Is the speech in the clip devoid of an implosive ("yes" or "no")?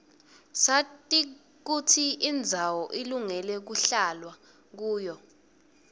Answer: yes